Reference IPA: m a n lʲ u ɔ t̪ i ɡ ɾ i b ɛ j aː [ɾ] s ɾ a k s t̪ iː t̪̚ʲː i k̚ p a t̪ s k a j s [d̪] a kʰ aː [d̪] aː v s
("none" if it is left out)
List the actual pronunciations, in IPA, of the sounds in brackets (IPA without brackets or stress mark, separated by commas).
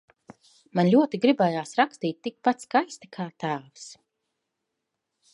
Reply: none, t̪, t̪